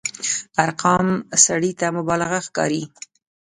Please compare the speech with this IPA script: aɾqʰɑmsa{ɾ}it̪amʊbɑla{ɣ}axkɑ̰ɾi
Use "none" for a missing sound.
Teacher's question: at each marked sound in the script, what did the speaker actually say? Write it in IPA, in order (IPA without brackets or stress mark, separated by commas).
ɽ, ɣ